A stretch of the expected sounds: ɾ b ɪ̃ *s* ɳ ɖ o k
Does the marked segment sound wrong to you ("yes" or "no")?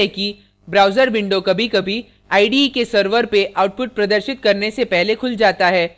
yes